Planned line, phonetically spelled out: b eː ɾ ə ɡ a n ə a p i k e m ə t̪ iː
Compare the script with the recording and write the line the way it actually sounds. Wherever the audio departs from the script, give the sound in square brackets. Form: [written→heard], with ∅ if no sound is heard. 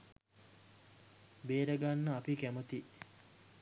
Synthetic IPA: b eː ɾ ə ɡ a [n→nː] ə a p i k [e→æ] m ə t̪ [iː→i]